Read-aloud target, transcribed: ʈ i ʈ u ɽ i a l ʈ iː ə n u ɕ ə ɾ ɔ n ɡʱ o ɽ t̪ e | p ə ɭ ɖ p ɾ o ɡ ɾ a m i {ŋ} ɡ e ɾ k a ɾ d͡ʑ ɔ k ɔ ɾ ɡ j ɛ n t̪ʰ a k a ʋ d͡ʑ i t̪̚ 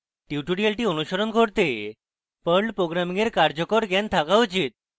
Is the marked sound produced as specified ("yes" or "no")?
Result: yes